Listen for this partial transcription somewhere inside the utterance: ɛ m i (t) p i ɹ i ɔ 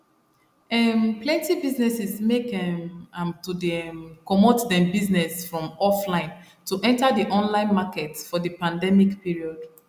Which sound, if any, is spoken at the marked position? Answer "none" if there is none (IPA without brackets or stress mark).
k